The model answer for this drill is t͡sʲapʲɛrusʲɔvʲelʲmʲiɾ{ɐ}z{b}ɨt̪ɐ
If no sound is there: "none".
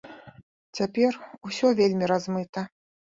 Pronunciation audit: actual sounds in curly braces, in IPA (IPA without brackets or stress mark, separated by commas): a, m